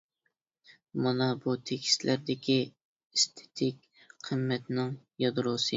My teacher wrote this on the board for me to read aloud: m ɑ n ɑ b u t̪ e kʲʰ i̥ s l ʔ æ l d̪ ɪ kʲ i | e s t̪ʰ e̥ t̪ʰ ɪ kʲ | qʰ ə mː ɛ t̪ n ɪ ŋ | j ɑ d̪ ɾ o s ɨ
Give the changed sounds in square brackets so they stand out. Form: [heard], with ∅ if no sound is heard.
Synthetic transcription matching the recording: m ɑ n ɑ b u [t̪ʰ] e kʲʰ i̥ s l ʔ æ [ɾ] d̪ ɪ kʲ i | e s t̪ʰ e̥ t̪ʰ ɪ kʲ | qʰ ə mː ɛ t̪ n ɪ ŋ | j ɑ d̪ ɾ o s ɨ